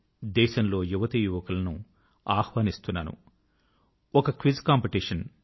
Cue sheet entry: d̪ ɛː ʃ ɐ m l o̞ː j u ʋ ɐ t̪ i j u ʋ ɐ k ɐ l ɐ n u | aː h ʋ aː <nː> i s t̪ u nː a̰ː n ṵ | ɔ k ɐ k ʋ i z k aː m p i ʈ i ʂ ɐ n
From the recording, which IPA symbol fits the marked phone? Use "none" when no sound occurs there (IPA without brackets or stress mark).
n